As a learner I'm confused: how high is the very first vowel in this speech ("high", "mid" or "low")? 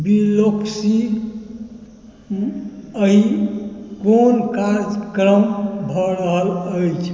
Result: high